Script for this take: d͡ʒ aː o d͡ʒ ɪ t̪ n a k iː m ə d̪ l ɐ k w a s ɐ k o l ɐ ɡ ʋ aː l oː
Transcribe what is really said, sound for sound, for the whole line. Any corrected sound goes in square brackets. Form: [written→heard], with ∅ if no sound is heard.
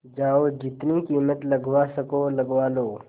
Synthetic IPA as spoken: d͡ʒ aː o d͡ʒ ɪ t̪ n [a→i] k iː m ə [d̪→t̪] l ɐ [k→ɡ] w a s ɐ k o l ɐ ɡ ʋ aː l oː